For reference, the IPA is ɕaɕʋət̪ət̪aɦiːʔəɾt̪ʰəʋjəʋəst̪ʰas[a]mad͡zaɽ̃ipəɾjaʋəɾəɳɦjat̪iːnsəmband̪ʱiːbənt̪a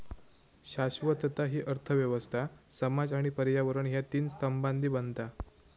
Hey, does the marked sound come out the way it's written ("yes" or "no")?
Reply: no